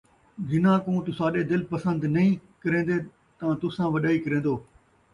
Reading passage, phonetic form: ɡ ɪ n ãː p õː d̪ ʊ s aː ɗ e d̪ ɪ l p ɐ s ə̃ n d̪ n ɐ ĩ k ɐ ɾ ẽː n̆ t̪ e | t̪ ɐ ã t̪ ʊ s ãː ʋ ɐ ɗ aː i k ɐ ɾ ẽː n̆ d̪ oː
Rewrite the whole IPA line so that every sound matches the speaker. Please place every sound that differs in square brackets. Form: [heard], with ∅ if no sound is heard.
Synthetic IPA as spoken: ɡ ɪ n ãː [k] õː [t̪] ʊ s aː ɗ e d̪ ɪ l p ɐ s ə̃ n d̪ n ɐ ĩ k ɐ ɾ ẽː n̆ [d̪] e | t̪ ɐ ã t̪ ʊ s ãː ʋ ɐ ɗ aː i k ɐ ɾ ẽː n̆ d̪ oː